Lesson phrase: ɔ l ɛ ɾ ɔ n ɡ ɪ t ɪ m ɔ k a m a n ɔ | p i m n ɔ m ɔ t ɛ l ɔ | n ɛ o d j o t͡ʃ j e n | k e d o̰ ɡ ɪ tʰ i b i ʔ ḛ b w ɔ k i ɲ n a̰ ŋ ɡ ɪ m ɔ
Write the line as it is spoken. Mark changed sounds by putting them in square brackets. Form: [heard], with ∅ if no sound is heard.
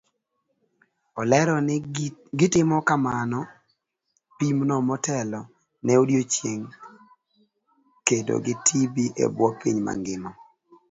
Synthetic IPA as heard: ɔ l ɛ ɾ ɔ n ɡ ɪ t ɪ m ɔ k a m a n ɔ | p i m n ɔ m ɔ t ɛ l ɔ | n ɛ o d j o t͡ʃ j e [ŋ] | k e d o̰ ɡ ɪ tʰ i b i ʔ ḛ b w ɔ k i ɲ [m] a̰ ŋ ɡ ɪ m ɔ